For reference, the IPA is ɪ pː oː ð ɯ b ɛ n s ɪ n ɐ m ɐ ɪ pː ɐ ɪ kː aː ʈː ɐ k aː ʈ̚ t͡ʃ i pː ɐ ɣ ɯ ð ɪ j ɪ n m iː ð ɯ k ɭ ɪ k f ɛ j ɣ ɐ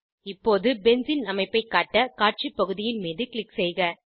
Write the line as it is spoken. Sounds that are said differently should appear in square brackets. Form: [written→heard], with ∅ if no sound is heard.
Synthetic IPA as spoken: ɪ pː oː ð ɯ b ɛ n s ɪ n ɐ m ɐ ɪ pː ɐ ɪ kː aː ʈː ɐ k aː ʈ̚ t͡ʃ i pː ɐ ɣ ɯ ð ɪ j ɪ n m iː ð ɯ k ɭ ɪ k [f→s] ɛ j ɣ ɐ